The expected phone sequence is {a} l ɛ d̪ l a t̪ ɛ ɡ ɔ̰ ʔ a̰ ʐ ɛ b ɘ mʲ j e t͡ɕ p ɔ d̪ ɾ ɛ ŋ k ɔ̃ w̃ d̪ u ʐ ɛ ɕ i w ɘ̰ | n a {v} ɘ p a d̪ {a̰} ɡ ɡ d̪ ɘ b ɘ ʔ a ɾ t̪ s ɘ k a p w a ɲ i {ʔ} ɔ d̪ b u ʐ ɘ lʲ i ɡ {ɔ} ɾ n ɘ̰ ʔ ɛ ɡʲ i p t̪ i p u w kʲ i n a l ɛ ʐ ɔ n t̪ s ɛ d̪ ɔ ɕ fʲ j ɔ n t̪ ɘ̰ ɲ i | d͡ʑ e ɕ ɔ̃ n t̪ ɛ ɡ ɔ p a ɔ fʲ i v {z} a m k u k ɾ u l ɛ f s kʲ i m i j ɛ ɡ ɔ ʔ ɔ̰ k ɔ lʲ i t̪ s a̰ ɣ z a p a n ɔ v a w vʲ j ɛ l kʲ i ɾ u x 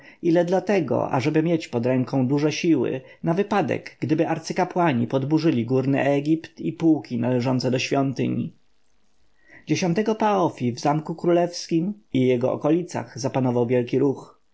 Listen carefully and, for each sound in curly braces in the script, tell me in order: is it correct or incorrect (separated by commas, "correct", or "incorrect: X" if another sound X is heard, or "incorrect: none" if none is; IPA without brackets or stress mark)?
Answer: incorrect: i, correct, incorrect: ɛ̰, incorrect: p, incorrect: u, correct